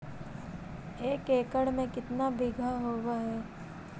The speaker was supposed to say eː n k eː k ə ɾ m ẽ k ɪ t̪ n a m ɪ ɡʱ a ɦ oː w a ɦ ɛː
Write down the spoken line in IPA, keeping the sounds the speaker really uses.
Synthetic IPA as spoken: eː k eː k ə ɽ m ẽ k ɪ t̪ n a b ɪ ɡʱ a ɦ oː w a ɦ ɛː

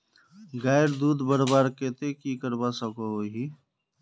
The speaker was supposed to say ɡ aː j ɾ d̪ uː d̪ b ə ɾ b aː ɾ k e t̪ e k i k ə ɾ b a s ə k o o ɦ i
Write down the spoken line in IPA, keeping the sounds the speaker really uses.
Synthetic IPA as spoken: ɡ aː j ɾ d̪ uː d̪ b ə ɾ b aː ɾ k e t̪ e k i k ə ɾ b a s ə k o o ɦ i

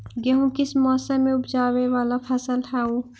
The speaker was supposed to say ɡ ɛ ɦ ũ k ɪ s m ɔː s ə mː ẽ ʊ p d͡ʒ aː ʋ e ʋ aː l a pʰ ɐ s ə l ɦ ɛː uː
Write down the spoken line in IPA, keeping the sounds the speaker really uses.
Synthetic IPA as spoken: ɡ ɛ ɦ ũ k ɪ s m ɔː s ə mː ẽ ʊ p d͡ʒ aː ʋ e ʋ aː l a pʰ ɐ s ə l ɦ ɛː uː

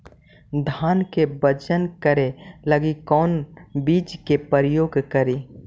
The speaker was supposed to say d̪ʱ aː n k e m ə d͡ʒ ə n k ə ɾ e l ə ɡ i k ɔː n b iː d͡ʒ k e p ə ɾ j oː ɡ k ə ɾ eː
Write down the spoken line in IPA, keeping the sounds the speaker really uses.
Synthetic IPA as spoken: d̪ʱ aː n k e b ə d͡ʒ ə n k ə ɾ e l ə ɡ i k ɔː n b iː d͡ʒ k e p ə ɾ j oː ɡ k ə ɾ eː

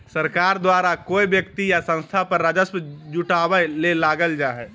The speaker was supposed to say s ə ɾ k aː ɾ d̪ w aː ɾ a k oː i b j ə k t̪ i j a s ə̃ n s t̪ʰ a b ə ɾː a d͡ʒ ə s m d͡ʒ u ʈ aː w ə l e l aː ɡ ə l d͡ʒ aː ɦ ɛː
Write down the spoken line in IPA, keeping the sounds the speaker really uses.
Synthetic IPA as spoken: s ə ɾ k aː ɾ d̪ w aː ɾ a k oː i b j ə k t̪ i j a s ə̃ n s t̪ʰ a p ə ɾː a d͡ʒ ə s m d͡ʒ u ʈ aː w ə l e l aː ɡ ə l d͡ʒ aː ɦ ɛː

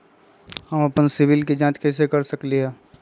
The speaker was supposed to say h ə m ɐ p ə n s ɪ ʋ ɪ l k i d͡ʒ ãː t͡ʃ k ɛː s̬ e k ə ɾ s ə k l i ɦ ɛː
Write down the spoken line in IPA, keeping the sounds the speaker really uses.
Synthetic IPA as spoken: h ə m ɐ p ə n s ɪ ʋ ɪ l k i d͡ʒ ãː t͡ʃ k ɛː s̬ e k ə ɾ s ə k l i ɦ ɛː

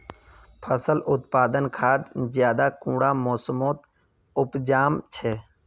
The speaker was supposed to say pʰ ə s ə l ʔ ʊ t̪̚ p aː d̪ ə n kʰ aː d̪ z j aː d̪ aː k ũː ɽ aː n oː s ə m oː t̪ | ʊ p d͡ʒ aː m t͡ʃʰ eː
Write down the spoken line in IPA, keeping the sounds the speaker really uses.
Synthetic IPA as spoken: pʰ ə s ə l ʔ ʊ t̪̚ p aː d̪ ə n kʰ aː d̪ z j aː d̪ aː k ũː ɽ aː m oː s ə m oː t̪ | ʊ p d͡ʒ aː m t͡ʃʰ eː

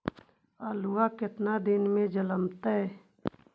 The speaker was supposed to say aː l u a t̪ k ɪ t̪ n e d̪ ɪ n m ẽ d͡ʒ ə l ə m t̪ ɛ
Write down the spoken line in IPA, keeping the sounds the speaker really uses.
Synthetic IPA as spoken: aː l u a k ɪ t̪ n a d̪ ɪ n m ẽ d͡ʒ ə l ə m t̪ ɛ

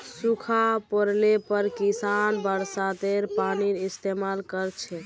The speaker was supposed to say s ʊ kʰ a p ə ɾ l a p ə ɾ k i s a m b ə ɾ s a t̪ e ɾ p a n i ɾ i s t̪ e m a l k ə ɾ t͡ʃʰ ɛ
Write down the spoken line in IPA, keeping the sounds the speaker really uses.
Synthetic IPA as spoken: s u kʰ a p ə ɾ l e p ə ɾ k i s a n b ə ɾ s a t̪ e ɾ p a n i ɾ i s t̪ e m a l k ə ɾ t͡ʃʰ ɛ

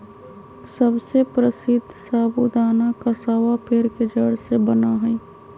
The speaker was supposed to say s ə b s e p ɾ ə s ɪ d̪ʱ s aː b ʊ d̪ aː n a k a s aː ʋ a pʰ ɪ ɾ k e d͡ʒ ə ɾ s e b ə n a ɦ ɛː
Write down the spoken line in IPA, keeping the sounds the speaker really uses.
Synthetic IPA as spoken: s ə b s e p ɾ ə s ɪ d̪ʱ s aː b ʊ d̪ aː n a k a s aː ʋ a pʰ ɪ ɾ k e d͡ʒ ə ɽ s e b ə n a ɦ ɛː

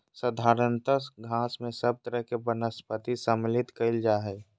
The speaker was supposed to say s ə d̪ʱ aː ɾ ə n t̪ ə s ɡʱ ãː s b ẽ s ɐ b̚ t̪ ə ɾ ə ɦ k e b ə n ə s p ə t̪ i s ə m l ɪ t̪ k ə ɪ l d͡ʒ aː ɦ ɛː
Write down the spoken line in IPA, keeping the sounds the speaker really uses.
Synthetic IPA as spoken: s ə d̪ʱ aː ɾ ə n t̪ ə s ɡʱ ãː s m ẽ s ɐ b̚ t̪ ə ɾ ə ɦ k e b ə n ə s p ə t̪ i s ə m l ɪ t̪ k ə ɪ l d͡ʒ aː ɦ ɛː

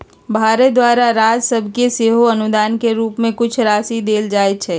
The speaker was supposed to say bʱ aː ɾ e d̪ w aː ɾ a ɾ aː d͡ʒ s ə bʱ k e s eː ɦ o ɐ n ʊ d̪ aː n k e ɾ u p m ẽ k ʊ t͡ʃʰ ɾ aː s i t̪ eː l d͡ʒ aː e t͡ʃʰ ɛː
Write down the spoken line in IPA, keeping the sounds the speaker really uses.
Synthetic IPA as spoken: bʱ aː ɾ e d̪ w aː ɾ a ɾ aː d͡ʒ s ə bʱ k e s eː ɦ o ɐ n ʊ d̪ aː n k e ɾ uː p m ẽ k ʊ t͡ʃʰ ɾ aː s i d̪ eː l d͡ʒ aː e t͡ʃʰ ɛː

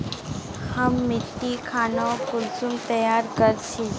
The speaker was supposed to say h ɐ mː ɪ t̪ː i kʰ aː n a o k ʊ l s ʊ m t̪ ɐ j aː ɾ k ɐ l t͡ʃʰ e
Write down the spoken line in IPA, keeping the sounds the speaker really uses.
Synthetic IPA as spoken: h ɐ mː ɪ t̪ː i kʰ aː n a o k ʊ l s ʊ m t̪ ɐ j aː ɾ k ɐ ɾ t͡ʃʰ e

